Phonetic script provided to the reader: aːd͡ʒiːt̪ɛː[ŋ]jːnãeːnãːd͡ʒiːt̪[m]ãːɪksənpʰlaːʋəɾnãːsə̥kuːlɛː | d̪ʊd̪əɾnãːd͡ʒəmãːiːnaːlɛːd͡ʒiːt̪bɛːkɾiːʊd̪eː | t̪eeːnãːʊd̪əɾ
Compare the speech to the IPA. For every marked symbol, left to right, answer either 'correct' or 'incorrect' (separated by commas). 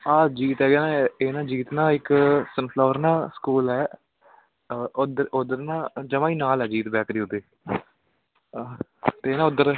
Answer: incorrect, incorrect